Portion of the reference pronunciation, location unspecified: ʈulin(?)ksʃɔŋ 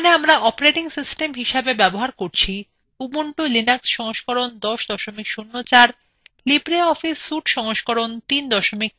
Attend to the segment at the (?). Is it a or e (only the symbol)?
a